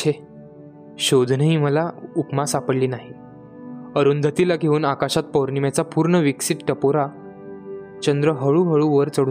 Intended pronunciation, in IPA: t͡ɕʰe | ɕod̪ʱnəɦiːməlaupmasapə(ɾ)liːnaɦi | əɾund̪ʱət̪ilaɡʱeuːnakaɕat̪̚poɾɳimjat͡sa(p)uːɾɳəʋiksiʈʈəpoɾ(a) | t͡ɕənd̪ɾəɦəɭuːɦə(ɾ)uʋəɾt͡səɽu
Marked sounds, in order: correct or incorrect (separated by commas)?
incorrect, correct, correct, incorrect